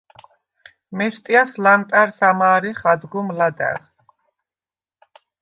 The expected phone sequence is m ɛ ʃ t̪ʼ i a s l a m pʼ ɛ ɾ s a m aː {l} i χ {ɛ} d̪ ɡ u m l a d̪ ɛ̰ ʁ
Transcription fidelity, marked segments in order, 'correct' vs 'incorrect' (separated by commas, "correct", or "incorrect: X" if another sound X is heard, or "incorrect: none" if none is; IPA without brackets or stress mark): incorrect: ɾ, incorrect: a